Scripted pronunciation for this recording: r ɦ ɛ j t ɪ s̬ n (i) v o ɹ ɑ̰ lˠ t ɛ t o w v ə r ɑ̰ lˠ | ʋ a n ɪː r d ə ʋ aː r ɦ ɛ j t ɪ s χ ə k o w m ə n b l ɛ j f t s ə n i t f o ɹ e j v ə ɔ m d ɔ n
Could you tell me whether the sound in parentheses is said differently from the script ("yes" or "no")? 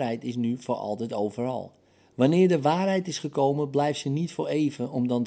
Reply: yes